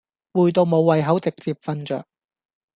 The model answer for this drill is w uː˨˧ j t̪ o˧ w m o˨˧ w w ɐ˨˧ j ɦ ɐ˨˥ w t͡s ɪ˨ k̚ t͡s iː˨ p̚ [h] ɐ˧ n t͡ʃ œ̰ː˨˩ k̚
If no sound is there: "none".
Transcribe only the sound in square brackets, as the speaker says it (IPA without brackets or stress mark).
f